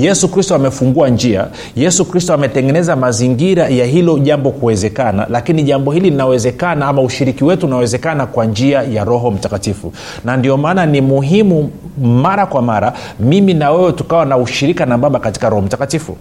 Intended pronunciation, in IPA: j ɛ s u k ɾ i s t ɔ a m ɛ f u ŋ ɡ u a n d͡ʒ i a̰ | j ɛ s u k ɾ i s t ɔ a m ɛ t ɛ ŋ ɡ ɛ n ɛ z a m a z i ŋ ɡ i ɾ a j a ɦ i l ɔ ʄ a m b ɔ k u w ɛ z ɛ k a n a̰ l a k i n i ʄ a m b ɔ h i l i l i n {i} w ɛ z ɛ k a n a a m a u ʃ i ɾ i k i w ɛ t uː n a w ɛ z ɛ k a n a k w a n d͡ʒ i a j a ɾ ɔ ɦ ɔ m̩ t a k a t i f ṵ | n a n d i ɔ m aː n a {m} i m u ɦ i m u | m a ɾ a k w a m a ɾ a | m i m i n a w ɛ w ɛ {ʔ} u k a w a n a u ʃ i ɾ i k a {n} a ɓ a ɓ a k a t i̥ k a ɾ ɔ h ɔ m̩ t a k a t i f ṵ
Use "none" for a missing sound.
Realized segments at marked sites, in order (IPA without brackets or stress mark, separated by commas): a, n, t, n